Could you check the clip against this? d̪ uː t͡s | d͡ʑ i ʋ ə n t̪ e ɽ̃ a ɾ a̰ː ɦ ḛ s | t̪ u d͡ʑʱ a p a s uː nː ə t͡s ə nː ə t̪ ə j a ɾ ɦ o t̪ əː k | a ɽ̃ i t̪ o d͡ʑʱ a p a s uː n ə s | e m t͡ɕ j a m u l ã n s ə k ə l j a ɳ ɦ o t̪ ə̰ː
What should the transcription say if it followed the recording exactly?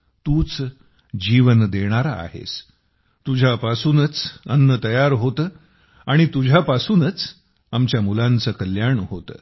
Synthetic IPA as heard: t̪ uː t͡s | d͡ʑ i ʋ ə n d̪ e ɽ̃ a ɾ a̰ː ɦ ḛ s | t̪ u d͡ʑʱ a p a s uː n ə t͡s ə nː ə t̪ ə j a ɾ ɦ o t̪ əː | a ɽ̃ i t̪ u d͡ʑʱ a p a s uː n ə t͡s | a m t͡ɕ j a m u l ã n t͡s ə k ə l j a ɳ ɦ o t̪ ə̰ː